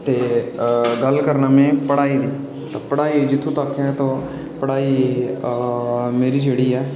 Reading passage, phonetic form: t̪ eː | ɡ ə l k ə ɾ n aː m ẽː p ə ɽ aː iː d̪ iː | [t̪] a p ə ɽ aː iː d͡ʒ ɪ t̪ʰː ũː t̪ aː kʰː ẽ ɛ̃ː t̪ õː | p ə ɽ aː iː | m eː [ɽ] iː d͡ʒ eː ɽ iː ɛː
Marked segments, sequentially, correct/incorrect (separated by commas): correct, incorrect